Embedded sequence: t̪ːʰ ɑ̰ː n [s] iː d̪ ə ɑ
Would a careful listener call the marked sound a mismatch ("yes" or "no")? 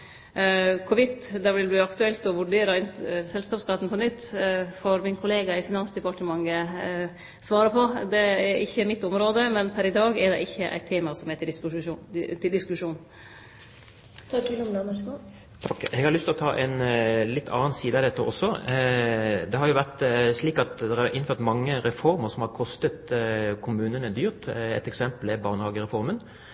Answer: no